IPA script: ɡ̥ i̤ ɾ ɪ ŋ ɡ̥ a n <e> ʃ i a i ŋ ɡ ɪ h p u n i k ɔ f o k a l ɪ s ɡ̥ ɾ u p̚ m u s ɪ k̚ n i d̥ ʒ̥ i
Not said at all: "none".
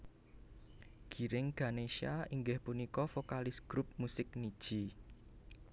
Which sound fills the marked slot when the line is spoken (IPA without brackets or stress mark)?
e